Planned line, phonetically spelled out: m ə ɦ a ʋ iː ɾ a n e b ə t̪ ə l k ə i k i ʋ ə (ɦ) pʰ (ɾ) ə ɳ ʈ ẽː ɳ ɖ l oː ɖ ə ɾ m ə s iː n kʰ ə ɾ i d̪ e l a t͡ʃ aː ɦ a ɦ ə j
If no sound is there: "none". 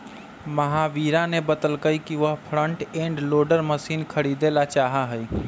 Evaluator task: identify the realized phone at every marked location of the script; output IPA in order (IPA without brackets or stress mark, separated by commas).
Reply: ɦ, ɾ